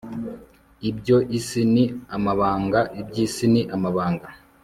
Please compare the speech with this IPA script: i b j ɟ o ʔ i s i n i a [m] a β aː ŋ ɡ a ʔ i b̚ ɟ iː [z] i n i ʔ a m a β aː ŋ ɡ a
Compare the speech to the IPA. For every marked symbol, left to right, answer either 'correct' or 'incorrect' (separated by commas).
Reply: correct, incorrect